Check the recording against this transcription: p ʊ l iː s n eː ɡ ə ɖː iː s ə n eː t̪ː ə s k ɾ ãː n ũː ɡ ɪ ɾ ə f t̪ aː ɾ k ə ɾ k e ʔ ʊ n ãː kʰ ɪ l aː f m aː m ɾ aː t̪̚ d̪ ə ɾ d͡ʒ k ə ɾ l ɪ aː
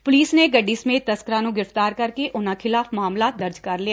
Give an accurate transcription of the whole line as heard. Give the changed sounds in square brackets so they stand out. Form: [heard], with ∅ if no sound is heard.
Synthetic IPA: p ʊ l iː s n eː ɡ ə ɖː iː s ə [m] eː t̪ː ə s k ɾ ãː n ũː ɡ ɪ ɾ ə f t̪ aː ɾ k ə ɾ k e ʔ ʊ n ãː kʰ ɪ l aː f m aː m [l] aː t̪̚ d̪ ə ɾ d͡ʒ k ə ɾ l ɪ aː